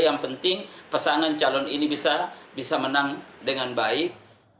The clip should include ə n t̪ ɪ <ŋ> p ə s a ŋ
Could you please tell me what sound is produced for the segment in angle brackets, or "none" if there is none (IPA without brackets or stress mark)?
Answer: ŋ